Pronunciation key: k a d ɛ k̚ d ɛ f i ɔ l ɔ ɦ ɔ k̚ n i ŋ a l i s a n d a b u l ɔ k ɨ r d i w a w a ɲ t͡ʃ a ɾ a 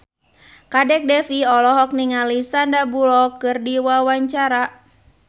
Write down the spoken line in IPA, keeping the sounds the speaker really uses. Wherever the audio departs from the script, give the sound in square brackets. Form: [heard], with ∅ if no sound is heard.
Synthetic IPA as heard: k a d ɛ k̚ d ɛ f i ɔ l ɔ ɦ ɔ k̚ n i ŋ a l i s a n d a b u l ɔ k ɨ r d i w a w a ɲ t͡ʃ a ɾ a